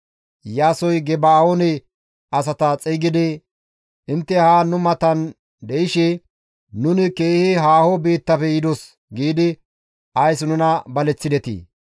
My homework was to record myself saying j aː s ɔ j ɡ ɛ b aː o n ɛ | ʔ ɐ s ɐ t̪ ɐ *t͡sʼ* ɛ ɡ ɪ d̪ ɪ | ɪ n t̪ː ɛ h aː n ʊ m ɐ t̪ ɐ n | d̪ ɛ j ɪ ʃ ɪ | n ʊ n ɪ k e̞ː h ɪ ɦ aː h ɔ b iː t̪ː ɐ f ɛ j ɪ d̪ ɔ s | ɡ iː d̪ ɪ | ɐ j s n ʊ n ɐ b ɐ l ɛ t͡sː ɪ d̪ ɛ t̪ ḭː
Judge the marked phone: correct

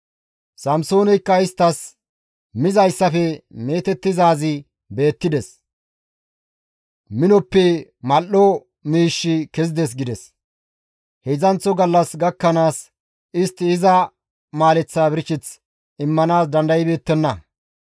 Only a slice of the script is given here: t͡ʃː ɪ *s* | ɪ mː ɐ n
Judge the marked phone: incorrect: t͡s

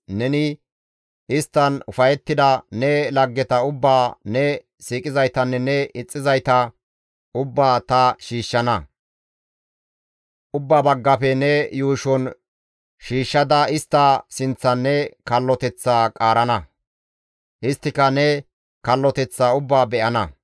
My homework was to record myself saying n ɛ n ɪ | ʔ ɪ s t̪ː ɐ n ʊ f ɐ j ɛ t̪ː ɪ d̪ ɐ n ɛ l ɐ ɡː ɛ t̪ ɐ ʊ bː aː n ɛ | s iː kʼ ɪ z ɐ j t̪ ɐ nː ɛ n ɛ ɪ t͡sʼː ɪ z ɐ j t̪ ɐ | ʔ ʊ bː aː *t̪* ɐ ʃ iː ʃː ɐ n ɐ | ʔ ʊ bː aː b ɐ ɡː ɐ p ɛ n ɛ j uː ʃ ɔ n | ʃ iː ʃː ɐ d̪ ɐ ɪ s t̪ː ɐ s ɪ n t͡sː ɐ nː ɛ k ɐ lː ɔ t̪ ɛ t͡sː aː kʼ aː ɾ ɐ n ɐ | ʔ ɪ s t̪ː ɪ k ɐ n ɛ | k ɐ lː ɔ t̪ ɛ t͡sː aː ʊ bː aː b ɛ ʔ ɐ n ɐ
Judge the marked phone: correct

